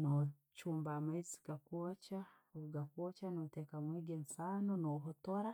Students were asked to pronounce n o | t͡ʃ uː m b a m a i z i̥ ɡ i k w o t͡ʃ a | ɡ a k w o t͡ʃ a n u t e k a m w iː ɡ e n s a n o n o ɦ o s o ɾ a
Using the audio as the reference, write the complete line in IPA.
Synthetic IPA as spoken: n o | t͡ʃ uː m b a m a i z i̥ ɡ a k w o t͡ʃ a | ɡ a k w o t͡ʃ a n o t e k a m w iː ɡ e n s a n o n o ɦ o t o ɾ a